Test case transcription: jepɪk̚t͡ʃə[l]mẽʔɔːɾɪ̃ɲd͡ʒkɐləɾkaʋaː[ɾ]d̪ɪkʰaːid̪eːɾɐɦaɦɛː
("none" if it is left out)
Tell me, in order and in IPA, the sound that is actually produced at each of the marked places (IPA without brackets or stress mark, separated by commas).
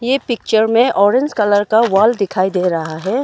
ɾ, l